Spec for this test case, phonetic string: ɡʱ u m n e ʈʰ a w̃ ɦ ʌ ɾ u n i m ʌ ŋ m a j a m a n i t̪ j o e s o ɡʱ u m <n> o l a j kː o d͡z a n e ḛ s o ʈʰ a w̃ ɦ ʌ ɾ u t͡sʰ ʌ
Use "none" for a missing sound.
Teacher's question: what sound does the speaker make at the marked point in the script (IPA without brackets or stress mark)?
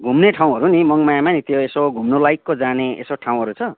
n